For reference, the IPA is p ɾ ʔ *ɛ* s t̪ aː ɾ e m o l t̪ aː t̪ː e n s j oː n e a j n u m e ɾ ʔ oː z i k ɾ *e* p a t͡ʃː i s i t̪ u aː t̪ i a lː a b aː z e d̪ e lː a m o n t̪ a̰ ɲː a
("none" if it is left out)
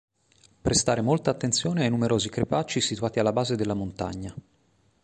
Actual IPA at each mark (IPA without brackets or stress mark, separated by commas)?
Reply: e, e